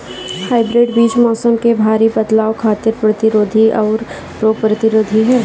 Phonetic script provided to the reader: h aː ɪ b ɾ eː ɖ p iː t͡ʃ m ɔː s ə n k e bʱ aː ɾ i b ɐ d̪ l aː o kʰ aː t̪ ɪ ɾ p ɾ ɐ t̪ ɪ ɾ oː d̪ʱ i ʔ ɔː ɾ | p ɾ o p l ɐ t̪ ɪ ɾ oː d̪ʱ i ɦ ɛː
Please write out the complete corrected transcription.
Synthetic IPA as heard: h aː ɪ b ɾ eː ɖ b iː t͡ʃ m ɔː s ə m k e bʱ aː ɾ i b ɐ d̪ l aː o kʰ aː t̪ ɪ ɾ p ɾ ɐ t̪ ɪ ɾ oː d̪ʱ i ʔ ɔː ɾ | p ɾ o p ɾ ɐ t̪ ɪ ɾ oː d̪ʱ i ɦ ɛː